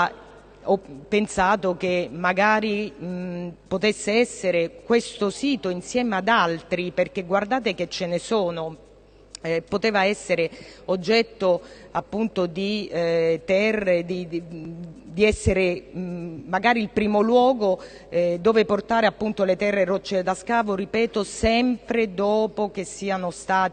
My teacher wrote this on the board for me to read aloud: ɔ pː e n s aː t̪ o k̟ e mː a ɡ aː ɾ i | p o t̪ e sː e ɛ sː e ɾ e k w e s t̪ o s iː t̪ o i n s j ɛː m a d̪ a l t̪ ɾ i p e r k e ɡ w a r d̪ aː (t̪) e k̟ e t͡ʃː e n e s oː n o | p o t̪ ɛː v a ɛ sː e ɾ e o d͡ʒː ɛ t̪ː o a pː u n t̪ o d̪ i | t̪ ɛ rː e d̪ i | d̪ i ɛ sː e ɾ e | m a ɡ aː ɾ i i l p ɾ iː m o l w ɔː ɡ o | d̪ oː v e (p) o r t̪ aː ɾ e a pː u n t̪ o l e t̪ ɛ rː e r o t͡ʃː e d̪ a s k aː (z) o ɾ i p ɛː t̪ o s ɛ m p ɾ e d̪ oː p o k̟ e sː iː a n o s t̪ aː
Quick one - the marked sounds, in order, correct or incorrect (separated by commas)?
correct, correct, incorrect